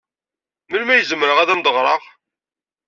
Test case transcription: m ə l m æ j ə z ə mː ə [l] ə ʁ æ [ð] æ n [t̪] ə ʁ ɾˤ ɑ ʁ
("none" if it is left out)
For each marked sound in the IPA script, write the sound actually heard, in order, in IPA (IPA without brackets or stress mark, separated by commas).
ɾ, ð, d̪